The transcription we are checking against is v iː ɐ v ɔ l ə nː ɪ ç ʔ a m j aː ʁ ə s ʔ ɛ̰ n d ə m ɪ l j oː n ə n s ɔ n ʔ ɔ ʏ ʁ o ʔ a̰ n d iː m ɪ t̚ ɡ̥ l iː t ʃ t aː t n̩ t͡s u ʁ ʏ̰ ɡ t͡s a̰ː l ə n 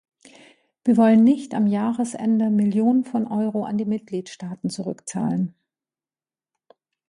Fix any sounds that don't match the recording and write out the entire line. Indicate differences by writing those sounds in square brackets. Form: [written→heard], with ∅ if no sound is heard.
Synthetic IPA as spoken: v iː ɐ v ɔ l ə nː ɪ ç [ʔ→t] a m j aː ʁ ə s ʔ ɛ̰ n d ə m ɪ l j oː n ə n [s→f] ɔ n ʔ ɔ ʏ ʁ o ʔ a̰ n d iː m ɪ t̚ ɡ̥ l iː t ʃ t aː t n̩ t͡s u ʁ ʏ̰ [ɡ→k] t͡s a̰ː l ə n